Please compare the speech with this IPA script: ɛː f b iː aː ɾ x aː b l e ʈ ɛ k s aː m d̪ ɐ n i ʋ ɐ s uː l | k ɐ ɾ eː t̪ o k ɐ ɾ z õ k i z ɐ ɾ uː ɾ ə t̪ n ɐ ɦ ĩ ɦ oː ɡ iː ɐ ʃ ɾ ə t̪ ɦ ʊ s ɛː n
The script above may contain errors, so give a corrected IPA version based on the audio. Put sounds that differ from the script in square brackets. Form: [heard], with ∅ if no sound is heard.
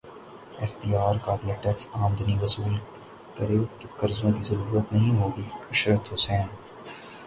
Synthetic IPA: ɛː f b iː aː ɾ [k] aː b l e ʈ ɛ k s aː m d̪ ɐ n i ʋ ɐ s uː l | k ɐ ɾ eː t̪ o k ɐ ɾ z õ k i z ɐ ɾ uː ɾ ə t̪ n ɐ ɦ ĩ ɦ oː ɡ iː ɐ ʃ ɾ ə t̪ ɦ ʊ s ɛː n